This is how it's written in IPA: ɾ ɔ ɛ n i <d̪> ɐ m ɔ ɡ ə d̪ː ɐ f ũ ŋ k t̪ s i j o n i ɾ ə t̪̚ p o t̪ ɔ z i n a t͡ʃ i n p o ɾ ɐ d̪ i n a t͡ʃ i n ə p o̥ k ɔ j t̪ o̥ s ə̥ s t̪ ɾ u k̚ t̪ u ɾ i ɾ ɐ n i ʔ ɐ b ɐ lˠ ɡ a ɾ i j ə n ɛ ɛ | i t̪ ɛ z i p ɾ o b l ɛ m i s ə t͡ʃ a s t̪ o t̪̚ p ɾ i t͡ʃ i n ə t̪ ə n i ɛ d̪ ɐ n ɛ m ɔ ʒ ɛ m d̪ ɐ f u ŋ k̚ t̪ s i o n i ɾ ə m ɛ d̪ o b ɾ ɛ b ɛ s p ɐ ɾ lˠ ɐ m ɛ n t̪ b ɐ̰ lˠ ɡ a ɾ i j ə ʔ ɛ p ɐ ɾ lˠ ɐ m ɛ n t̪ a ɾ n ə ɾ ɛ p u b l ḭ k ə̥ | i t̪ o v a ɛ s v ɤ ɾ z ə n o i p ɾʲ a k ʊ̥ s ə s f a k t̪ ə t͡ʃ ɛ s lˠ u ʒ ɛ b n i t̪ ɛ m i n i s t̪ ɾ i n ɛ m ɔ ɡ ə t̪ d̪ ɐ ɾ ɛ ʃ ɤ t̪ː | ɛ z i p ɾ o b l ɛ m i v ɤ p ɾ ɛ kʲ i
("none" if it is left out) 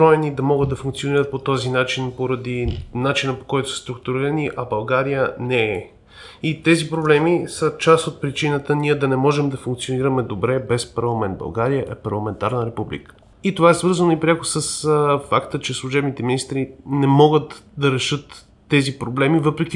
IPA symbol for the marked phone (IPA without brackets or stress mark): d̪